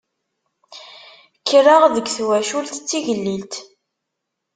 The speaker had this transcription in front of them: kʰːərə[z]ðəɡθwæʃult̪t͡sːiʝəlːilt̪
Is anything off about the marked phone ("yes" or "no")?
yes